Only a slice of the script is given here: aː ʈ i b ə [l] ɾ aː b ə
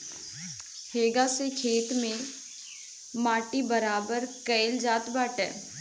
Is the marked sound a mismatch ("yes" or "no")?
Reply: yes